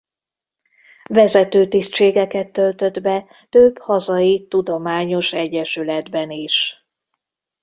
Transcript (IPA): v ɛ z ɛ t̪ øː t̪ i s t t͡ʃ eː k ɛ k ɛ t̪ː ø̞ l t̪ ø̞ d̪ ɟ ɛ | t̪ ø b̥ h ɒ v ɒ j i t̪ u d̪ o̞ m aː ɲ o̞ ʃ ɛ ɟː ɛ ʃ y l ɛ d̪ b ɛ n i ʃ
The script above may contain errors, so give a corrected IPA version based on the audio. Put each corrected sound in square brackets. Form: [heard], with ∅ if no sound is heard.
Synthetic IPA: v ɛ z ɛ t̪ øː t̪ i s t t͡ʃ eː [ɡ] ɛ k ɛ t̪ː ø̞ l t̪ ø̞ d̪ [b] ɛ | t̪ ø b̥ h ɒ [z] ɒ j i t̪ u d̪ o̞ m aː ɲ o̞ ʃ ɛ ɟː ɛ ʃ y l ɛ d̪ b ɛ n i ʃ

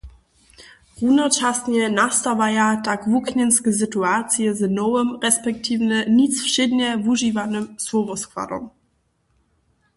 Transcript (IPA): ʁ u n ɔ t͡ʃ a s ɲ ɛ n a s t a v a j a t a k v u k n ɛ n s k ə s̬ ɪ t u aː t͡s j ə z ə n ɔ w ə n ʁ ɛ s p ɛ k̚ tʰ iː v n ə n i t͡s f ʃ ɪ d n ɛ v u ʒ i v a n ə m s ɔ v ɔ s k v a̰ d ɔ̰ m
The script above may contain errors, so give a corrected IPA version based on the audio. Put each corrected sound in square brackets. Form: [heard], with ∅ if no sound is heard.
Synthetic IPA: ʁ u n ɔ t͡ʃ a s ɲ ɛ n a s t a v a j a t a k v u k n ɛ n s k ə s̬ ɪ t u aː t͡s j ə z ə n ɔ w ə [m] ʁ ɛ s p ɛ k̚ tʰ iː v n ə n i t͡s f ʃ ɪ d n ɛ v u ʒ i v a n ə m s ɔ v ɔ s k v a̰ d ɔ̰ m

